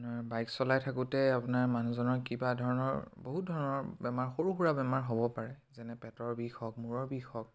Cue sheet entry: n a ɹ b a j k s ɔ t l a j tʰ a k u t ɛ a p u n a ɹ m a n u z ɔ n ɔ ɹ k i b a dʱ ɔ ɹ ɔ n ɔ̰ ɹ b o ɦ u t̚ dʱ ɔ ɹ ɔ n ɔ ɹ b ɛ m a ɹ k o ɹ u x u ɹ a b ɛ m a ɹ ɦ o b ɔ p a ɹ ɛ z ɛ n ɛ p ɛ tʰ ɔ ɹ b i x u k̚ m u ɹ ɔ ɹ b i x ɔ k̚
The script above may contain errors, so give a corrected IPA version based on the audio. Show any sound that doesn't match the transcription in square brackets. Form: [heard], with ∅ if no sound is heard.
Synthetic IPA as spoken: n a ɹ b a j k s ɔ [∅] l a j tʰ a k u t ɛ a p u n a ɹ m a n u z ɔ n ɔ ɹ k i b a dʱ ɔ ɹ ɔ n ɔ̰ ɹ b o ɦ u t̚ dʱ ɔ ɹ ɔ n ɔ ɹ b ɛ m a ɹ [x] o ɹ u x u ɹ a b ɛ m a ɹ ɦ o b ɔ p a ɹ ɛ z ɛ n ɛ p ɛ [t] ɔ ɹ b i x [ɔ] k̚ m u ɹ ɔ ɹ b i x ɔ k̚